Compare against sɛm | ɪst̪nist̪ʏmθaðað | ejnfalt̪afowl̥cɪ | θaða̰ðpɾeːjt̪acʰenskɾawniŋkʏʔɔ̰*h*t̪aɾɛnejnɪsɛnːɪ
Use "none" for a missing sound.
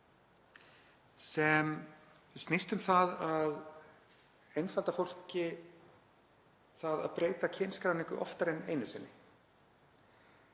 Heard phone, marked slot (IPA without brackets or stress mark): f